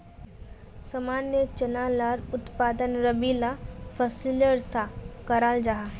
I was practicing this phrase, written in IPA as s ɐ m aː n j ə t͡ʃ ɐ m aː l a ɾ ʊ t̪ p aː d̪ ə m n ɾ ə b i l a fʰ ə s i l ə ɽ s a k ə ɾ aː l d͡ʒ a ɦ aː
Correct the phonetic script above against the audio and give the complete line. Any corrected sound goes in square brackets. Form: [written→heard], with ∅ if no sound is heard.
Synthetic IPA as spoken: s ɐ m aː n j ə t͡ʃ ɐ [m→n] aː l a ɾ ʊ t̪ p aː d̪ ə [m→∅] n ɾ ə b i l a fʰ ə s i l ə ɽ s a k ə ɾ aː l d͡ʒ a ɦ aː